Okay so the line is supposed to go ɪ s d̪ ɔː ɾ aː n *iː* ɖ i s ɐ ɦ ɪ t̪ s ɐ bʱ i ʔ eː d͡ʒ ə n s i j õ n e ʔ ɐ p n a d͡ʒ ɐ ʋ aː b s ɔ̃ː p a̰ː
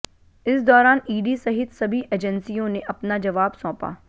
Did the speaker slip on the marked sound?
no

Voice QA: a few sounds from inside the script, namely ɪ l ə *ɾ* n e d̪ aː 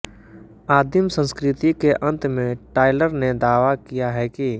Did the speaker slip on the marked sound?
no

